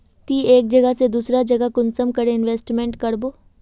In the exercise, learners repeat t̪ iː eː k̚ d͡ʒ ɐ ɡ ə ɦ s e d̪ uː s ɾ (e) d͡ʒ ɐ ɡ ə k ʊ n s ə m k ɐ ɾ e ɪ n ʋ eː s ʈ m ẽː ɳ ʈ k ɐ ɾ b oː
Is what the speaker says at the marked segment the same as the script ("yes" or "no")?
no